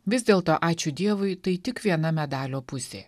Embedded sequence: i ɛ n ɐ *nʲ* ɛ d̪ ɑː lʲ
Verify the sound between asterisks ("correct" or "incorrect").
incorrect